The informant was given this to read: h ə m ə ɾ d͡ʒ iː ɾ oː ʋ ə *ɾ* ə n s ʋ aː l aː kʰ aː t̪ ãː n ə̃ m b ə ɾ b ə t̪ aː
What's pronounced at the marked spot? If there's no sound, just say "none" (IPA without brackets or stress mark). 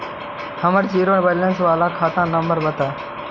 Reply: l